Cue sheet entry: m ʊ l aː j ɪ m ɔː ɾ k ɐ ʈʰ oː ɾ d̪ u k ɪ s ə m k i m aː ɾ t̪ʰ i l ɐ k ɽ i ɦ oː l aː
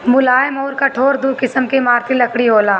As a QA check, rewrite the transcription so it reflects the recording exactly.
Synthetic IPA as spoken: m ʊ l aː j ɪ m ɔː ɾ k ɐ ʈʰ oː ɾ d̪ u k ɪ s ə m k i m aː ɾ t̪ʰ i l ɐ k ɽ i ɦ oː l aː